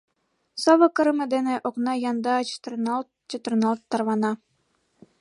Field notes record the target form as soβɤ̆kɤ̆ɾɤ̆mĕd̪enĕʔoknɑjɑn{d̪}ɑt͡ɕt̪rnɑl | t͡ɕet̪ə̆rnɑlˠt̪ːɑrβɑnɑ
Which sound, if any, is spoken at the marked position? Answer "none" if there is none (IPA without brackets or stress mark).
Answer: d̪